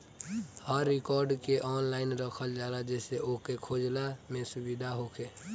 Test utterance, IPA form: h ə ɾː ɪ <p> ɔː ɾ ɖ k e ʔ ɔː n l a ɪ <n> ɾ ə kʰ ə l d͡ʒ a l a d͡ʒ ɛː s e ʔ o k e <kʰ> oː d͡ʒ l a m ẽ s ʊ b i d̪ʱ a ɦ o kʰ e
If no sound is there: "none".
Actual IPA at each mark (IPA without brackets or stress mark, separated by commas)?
k, n, kʰ